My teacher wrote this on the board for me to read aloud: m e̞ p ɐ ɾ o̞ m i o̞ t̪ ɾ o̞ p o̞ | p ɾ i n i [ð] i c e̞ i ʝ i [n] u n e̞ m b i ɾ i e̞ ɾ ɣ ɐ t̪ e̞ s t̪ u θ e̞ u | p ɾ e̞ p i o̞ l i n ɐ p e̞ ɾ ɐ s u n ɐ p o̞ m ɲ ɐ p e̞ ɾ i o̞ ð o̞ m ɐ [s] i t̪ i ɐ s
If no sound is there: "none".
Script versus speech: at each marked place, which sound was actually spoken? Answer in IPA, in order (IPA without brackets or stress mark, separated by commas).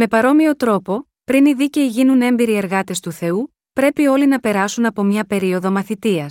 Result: ð, n, θ